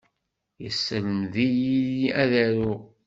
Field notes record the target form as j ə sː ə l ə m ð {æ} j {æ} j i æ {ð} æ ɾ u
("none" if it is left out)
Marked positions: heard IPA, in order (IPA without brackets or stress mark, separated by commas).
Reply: i, i, ð